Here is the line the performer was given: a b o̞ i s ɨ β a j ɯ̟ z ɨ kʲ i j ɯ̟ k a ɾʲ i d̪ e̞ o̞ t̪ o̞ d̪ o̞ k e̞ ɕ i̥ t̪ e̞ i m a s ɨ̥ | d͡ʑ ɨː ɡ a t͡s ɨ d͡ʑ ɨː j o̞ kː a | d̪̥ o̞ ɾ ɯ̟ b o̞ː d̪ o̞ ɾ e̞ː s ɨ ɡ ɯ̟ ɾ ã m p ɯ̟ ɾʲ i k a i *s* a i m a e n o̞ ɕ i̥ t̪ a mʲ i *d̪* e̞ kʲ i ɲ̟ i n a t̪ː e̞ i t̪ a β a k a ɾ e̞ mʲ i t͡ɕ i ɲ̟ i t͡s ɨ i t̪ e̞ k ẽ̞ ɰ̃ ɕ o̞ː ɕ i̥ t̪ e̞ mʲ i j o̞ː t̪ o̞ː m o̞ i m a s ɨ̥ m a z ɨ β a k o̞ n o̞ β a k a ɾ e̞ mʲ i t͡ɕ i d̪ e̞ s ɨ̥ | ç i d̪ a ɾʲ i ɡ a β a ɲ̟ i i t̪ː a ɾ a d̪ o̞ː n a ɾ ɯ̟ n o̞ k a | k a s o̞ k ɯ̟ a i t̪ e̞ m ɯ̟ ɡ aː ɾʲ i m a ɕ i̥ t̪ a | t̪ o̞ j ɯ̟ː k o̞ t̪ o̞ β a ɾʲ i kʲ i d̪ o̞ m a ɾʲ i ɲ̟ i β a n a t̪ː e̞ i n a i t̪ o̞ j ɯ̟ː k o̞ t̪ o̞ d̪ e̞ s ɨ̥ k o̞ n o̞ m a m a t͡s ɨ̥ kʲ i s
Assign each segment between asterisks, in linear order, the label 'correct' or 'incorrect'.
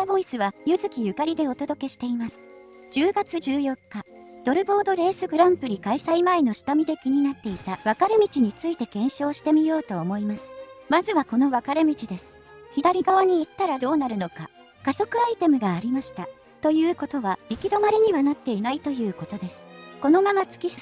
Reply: correct, correct

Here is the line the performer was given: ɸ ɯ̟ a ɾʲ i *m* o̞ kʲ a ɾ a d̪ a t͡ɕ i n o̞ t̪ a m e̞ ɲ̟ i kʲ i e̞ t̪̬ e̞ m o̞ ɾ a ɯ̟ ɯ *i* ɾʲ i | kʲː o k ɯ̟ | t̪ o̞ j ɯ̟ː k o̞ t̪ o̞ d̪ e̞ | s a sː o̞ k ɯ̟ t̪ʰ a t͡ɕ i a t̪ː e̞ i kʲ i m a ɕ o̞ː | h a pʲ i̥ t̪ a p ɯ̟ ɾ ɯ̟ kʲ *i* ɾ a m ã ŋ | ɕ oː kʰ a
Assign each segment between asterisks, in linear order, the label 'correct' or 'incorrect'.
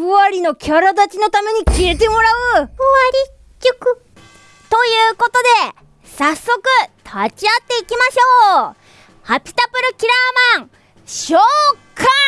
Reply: incorrect, incorrect, correct

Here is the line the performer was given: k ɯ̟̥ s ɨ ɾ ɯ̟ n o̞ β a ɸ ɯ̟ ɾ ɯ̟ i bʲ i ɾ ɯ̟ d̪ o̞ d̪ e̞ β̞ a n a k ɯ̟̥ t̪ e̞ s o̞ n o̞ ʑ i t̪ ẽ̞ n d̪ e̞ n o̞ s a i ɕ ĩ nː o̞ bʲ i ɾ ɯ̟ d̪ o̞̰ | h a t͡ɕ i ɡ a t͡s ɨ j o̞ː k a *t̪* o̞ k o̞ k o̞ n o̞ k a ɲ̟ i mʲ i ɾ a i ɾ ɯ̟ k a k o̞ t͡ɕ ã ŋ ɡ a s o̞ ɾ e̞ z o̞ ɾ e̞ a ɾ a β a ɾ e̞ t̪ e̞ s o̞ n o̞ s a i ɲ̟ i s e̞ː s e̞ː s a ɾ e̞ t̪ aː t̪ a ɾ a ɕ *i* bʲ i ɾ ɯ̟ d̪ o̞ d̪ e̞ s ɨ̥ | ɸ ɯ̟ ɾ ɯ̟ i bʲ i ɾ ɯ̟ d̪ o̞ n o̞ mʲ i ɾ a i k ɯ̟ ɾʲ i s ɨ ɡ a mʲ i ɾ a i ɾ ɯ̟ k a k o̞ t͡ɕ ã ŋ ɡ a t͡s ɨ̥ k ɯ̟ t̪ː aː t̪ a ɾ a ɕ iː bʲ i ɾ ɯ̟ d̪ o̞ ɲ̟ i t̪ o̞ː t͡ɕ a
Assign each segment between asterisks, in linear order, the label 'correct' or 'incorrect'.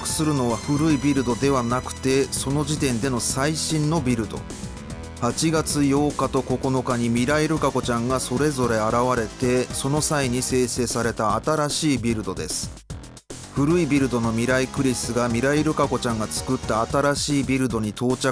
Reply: correct, incorrect

